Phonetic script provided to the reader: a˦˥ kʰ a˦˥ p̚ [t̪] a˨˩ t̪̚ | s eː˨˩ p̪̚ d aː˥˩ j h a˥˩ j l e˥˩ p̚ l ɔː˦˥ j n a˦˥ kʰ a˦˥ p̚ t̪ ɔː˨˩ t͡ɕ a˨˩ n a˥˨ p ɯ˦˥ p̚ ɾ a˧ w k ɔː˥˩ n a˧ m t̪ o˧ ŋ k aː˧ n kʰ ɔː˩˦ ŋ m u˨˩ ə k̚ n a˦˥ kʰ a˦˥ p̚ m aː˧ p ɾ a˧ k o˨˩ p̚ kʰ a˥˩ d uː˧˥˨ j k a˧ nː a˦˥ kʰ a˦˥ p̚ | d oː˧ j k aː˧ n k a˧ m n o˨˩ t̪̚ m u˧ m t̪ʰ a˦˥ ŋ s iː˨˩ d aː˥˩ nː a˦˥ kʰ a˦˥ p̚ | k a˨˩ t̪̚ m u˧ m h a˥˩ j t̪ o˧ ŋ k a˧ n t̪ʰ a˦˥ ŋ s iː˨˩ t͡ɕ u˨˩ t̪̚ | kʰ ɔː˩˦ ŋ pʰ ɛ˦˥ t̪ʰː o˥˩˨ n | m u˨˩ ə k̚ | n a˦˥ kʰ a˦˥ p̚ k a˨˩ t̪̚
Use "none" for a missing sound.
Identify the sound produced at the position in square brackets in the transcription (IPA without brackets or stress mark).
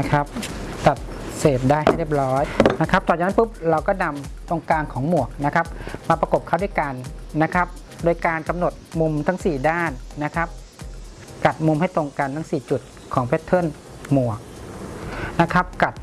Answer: t̪